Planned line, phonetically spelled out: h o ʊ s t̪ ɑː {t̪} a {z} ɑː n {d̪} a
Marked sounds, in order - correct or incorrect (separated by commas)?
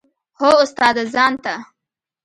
incorrect, correct, incorrect